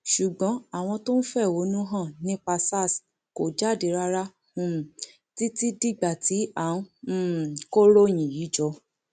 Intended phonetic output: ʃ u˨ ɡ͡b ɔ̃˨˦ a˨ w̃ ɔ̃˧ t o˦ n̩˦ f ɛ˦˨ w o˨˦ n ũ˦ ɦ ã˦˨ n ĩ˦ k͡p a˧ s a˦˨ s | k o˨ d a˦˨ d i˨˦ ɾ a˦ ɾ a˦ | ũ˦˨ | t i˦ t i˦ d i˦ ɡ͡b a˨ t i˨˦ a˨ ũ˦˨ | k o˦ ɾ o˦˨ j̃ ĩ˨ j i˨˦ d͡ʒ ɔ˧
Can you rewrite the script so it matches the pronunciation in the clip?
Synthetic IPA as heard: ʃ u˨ ɡ͡b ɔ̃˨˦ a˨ w̃ ɔ̃˧ t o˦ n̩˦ f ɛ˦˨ w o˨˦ n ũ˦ ɦ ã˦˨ n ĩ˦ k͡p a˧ s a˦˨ s | k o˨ d͡ʒ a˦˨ d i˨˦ ɾ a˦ ɾ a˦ | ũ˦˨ | t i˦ t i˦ d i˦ ɡ͡b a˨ t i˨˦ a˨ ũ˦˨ | k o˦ ɾ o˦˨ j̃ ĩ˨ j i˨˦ d͡ʒ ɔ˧